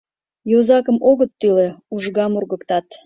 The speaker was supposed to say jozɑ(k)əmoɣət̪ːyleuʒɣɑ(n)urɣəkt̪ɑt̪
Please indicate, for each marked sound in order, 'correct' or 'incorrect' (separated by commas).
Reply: correct, incorrect